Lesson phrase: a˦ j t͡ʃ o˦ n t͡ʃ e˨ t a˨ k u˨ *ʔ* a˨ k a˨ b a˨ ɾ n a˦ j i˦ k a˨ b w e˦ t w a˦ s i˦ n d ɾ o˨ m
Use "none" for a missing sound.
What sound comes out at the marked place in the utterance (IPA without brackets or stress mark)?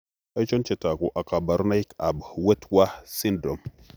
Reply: ʔ